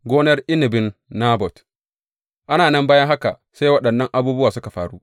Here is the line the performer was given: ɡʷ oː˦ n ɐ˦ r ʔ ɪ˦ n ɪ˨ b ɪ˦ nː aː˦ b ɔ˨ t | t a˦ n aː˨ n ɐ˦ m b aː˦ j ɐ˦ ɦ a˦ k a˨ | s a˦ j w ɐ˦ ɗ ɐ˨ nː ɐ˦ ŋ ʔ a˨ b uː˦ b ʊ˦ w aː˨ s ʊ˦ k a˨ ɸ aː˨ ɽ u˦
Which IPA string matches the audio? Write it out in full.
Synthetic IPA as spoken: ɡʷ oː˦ n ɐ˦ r ʔ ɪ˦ n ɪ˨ b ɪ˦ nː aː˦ b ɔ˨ t | ʔ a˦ n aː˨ n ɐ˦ m b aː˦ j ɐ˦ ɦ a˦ k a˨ | s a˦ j w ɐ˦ ɗ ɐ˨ nː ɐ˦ ŋ ʔ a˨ b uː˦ b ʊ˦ w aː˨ s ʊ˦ k a˨ ɸ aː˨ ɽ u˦